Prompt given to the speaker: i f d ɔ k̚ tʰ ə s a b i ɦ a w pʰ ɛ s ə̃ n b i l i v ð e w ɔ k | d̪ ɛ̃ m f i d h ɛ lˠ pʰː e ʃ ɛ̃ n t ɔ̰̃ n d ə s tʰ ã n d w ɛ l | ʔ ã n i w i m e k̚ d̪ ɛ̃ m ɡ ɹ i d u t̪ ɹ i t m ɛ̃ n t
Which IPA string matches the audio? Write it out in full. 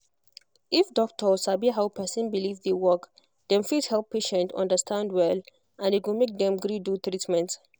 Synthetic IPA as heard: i f d ɔ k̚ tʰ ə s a b i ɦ a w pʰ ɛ s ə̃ n b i l i v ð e w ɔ k | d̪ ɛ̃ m f i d h ɛ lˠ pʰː e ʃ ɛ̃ n t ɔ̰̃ n d ə s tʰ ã n d w ɛ l | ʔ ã n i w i m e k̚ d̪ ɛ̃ m ɡ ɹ i d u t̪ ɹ i t m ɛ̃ n t